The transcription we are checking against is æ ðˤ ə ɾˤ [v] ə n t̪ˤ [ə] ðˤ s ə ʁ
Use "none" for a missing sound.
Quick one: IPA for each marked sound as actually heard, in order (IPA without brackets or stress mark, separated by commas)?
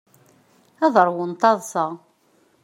w, ɑ